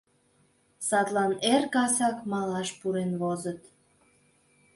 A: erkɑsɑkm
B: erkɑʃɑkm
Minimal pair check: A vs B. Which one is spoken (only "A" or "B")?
A